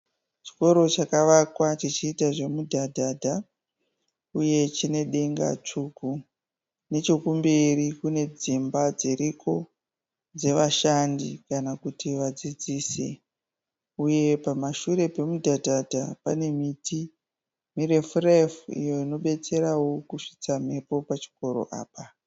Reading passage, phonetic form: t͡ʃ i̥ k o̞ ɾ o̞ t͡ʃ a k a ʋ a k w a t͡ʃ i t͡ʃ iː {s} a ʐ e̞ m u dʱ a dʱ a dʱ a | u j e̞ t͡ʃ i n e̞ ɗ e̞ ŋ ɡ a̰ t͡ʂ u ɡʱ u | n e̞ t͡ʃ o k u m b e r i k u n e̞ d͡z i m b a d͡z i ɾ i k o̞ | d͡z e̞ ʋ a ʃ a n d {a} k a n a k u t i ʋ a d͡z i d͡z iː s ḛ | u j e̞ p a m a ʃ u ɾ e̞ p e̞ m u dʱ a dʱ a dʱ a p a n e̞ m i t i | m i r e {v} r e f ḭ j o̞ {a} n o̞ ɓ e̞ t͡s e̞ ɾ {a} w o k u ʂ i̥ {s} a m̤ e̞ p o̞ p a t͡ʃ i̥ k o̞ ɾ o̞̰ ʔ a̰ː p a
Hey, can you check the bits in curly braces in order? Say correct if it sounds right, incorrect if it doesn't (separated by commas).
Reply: incorrect, incorrect, incorrect, incorrect, correct, incorrect